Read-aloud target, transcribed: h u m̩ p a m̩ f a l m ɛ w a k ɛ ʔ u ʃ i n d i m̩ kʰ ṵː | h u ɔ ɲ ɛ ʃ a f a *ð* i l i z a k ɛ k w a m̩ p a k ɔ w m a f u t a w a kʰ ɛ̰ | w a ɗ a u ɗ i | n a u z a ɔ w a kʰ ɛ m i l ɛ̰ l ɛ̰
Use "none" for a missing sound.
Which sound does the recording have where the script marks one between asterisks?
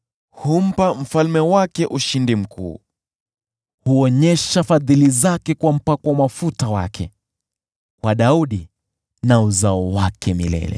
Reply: ð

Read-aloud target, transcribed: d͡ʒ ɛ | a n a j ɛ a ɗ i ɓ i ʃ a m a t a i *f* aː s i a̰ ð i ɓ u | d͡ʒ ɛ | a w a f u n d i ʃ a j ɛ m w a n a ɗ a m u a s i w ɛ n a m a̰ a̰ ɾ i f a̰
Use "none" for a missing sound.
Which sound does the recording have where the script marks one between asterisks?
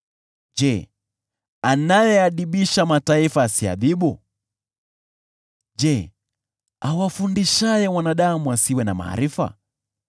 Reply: f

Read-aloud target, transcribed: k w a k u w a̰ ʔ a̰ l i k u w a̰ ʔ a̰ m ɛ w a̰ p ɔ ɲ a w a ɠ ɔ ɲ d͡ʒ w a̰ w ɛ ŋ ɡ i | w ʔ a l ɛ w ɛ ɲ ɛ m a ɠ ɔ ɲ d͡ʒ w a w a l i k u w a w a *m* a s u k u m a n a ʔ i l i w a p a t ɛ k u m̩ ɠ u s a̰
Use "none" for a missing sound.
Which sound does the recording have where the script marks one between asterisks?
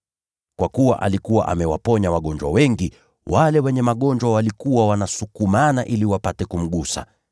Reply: n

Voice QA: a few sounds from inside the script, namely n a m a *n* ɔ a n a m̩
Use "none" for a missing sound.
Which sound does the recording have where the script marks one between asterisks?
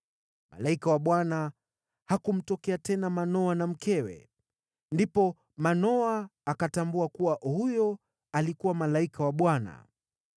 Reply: n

